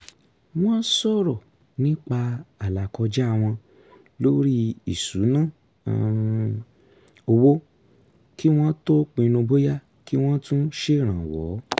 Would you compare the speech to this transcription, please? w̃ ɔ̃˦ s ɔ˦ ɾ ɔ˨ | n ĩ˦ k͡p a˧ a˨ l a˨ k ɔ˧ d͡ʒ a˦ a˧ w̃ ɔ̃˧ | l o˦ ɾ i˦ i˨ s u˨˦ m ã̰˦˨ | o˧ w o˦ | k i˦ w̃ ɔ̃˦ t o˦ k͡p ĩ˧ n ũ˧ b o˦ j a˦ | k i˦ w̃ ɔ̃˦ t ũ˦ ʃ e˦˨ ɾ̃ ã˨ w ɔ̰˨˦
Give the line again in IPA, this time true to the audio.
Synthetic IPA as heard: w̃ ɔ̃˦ s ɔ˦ ɾ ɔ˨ | n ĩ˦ k͡p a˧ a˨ l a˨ k ɔ˧ d͡ʒ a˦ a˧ w̃ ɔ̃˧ | l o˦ ɾ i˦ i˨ s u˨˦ n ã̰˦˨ | o˧ w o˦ | k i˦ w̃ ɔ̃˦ t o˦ k͡p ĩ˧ n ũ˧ b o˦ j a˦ | k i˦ w̃ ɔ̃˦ t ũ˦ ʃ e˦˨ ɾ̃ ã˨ w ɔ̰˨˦